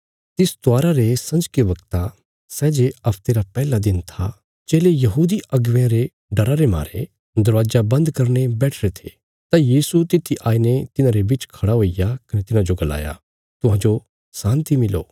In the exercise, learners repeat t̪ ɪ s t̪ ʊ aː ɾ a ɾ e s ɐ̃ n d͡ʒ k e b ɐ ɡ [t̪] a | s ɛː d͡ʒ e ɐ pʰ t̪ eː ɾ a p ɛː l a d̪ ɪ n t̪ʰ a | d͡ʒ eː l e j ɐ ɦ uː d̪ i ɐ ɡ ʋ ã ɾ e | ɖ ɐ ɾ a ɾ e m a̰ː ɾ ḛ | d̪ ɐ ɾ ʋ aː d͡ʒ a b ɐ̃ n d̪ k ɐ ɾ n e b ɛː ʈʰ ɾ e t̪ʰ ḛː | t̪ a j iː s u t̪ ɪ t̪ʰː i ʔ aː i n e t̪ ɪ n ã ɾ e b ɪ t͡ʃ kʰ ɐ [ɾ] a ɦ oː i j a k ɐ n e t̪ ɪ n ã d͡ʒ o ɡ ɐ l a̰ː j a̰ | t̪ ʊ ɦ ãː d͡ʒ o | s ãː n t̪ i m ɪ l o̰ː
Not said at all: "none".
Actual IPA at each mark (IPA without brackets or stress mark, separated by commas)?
t̪, ɽ